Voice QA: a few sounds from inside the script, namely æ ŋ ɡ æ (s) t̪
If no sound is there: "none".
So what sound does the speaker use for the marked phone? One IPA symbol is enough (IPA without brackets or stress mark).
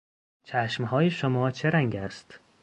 s